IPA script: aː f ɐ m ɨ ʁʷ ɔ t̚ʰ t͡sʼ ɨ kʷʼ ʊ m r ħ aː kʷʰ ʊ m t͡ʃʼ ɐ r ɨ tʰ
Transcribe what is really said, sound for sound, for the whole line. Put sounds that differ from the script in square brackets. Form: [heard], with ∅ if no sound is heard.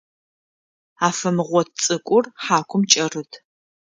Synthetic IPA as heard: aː f ɐ m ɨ ʁʷ ɔ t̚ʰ t͡sʼ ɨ kʷʼ ʊ [∅] r ħ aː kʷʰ ʊ m t͡ʃʼ ɐ r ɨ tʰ